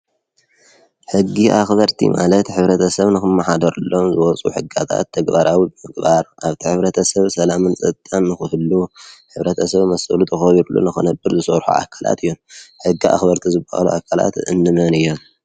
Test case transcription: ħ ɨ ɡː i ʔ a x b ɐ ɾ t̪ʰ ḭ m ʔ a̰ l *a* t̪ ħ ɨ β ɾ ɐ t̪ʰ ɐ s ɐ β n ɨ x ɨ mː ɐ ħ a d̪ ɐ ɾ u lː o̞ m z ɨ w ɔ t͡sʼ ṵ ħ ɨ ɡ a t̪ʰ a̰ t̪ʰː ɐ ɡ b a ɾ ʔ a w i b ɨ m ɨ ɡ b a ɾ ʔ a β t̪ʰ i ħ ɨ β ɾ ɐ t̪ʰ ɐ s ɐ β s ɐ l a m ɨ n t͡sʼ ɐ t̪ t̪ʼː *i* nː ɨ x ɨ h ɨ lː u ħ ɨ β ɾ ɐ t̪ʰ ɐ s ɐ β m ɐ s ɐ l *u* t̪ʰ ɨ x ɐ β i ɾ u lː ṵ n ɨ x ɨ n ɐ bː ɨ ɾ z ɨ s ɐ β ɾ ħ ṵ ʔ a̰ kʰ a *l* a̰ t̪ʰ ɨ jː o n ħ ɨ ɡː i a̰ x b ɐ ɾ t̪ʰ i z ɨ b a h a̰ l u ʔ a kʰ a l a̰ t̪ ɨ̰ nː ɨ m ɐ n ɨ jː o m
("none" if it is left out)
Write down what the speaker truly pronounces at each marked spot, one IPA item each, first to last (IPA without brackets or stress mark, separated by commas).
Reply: ɐ, a, u, l